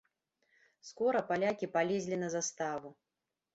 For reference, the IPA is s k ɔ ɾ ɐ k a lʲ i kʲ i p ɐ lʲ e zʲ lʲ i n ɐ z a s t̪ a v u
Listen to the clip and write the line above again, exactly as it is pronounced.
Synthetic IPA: s k ɔ ɾ ɐ p a lʲ a kʲ i p a lʲ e zʲ lʲ i n ɐ z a s t̪ a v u